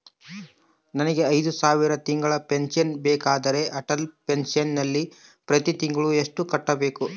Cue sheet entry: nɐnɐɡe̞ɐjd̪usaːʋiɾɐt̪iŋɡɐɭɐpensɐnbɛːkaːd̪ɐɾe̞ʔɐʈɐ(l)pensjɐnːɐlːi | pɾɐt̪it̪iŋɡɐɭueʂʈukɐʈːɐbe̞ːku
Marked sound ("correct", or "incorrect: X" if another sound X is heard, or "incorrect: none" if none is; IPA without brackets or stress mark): correct